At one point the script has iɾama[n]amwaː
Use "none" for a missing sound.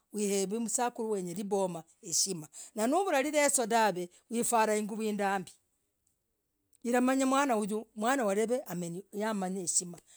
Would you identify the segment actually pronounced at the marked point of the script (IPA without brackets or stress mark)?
ɲ